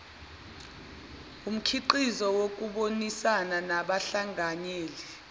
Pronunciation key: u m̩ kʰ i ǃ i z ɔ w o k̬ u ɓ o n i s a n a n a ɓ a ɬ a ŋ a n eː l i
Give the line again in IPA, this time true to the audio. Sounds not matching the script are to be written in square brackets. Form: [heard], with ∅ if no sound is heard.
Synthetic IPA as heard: u m̩ kʰ i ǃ i z ɔ w o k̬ u ɓ o n i s a n a n a ɓ a ɬ a ŋ a [ɲ] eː l i